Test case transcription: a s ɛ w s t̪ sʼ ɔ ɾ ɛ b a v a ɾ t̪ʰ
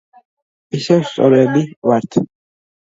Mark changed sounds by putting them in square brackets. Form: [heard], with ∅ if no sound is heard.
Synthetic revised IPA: [i] s ɛ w s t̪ sʼ ɔ ɾ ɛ b [i] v a ɾ t̪ʰ